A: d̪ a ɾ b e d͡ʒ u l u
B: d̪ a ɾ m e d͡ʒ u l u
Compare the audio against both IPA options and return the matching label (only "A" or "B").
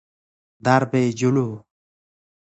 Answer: A